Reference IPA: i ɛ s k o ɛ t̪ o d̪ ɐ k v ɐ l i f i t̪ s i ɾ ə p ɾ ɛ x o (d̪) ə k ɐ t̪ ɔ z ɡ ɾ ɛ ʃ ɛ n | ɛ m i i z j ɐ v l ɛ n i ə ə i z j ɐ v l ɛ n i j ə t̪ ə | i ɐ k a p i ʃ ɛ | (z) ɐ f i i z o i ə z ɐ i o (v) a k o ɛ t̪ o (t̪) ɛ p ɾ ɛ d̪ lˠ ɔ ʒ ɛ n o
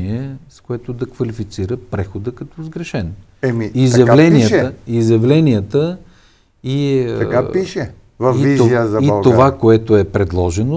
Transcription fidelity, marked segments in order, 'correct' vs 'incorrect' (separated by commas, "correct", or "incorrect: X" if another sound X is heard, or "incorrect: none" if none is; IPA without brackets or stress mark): correct, incorrect: v, correct, incorrect: none